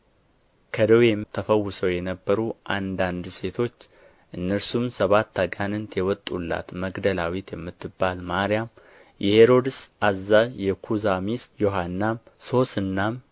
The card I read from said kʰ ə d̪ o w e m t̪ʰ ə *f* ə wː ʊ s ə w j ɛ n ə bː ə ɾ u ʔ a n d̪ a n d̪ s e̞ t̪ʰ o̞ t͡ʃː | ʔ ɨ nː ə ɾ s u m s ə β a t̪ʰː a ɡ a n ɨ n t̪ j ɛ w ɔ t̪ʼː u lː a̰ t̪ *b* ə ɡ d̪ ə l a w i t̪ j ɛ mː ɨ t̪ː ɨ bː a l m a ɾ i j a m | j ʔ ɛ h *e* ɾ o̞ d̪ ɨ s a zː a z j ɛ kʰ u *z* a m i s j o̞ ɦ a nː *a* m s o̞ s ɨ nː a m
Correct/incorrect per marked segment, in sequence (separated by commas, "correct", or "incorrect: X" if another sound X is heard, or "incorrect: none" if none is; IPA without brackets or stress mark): correct, incorrect: m, correct, correct, correct